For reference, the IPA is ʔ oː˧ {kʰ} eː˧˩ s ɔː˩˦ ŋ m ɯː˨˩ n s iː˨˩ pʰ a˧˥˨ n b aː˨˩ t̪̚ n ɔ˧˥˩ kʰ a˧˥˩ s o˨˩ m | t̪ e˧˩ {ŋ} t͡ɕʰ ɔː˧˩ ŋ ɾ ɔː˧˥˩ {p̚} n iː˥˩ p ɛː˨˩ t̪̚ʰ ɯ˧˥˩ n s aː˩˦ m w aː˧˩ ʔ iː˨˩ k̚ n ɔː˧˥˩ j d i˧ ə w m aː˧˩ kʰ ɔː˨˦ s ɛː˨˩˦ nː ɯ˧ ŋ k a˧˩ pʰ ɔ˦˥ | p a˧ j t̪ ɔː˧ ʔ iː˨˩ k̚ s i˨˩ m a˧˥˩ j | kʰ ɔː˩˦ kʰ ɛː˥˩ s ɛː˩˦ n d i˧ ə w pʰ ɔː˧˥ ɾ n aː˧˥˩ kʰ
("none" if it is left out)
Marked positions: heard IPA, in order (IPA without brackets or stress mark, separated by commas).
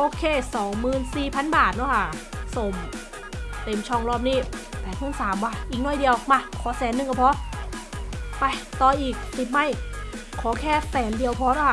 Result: kʰ, m, p̚